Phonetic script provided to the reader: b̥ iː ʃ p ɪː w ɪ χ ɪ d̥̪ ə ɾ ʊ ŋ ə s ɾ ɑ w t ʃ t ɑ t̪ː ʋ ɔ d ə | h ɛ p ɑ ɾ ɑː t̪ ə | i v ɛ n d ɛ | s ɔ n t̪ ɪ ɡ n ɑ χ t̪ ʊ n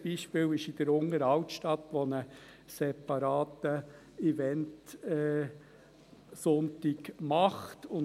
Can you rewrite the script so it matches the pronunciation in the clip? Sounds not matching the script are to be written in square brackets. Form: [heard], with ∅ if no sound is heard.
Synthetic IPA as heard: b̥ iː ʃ p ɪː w ɪ [ʃ] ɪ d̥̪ ə ɾ ʊ ŋ ə [∅] ɾ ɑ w t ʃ t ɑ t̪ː ʋ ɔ [n] ə | [s] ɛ p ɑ ɾ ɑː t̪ ə | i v ɛ n [t] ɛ | s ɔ n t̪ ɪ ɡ [m] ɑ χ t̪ ʊ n